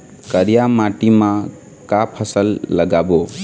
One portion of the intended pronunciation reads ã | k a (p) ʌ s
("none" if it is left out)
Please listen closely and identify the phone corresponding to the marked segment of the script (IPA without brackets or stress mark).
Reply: pʰ